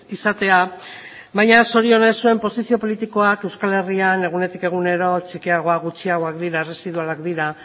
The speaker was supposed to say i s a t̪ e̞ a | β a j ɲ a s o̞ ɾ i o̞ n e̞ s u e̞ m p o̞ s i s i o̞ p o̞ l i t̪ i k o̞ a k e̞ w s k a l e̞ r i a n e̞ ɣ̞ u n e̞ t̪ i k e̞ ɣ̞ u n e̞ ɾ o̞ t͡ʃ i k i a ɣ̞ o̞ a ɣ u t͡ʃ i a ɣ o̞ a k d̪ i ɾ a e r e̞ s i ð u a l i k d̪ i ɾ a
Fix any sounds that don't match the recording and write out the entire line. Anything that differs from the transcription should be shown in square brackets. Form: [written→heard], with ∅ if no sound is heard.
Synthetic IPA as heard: i s a t̪ e̞ a | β a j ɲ a s o̞ ɾ i o̞ n e̞ s u e̞ m p o̞ s i s i o̞ p o̞ l i t̪ i k o̞ a k e̞ w s k a l e̞ r i a n e̞ ɣ̞ u n e̞ t̪ i k e̞ ɣ̞ u n e̞ ɾ o̞ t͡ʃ i k i a ɣ̞ o̞ a ɣ u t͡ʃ i a ɣ o̞ a k d̪ i ɾ a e r e̞ s i ð u a l [i→a] k d̪ i ɾ a